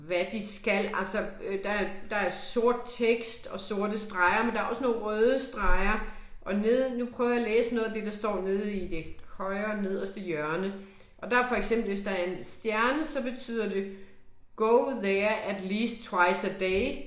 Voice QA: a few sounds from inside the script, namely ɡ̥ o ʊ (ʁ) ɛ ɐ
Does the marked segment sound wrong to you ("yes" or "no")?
yes